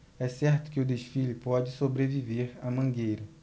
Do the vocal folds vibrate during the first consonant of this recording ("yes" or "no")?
no